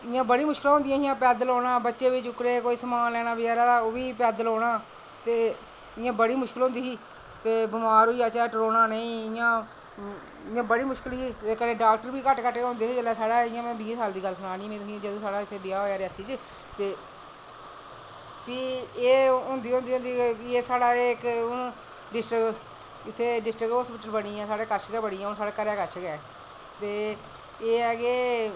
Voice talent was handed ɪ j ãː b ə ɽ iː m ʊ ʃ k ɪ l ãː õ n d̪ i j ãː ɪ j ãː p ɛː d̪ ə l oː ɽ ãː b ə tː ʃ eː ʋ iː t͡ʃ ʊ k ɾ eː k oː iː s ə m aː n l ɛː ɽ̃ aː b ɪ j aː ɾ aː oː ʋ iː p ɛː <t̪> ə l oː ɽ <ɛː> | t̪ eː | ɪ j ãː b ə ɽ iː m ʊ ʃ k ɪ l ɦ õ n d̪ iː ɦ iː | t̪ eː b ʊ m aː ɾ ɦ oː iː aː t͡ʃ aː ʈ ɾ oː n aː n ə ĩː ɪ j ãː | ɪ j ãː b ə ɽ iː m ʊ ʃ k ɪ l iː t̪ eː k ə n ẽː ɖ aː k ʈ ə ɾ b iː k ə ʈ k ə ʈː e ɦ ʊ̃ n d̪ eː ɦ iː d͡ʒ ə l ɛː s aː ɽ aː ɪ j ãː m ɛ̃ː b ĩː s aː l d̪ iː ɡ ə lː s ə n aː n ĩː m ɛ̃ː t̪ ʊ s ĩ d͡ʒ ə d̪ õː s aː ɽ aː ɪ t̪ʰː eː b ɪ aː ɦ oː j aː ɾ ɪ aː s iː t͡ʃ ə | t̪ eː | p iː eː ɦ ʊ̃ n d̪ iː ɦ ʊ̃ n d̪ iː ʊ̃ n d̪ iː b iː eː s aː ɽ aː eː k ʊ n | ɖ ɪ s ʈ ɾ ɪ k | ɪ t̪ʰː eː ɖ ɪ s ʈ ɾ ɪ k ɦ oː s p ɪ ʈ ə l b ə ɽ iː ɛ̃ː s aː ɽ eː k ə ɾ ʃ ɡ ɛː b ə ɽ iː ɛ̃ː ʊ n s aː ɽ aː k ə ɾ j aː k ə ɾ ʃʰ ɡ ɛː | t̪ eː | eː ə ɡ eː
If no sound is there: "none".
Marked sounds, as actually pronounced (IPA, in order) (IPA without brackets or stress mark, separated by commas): d̪, aː